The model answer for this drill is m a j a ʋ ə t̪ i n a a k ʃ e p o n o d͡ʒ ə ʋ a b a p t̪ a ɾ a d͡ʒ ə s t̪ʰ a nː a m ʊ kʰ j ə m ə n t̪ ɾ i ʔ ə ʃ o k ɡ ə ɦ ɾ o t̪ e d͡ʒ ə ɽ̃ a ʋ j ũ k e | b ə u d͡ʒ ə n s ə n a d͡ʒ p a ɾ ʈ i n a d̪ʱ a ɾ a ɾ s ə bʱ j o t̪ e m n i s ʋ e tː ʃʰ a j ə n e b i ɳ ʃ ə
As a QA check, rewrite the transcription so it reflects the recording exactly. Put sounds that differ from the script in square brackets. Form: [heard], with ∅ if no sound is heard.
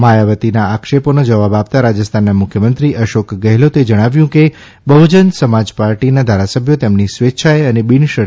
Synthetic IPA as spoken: m a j a ʋ ə t̪ i n a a k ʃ e p o n o d͡ʒ ə ʋ a b a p t̪ a ɾ a d͡ʒ ə s t̪ʰ a nː a m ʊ kʰ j ə m ə n t̪ ɾ i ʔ ə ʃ o k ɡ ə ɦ [l] o t̪ e d͡ʒ ə ɽ̃ a ʋ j ũ k e | b ə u d͡ʒ ə n s ə [m] a d͡ʒ p a ɾ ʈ i n a d̪ʱ a ɾ a [∅] s ə bʱ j o t̪ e m n i s ʋ e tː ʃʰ a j ə n e b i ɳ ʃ ə